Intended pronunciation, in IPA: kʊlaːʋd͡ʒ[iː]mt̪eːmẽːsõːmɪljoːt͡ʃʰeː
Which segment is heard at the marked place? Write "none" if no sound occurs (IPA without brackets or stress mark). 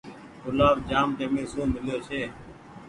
aː